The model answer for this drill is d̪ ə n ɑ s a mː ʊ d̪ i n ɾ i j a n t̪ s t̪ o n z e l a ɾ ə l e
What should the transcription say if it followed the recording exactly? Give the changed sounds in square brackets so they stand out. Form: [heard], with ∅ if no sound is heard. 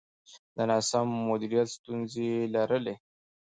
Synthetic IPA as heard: d̪ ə n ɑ s a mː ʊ d̪ i [∅] ɾ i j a [∅] t̪ s t̪ [u] n z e l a ɾ ə l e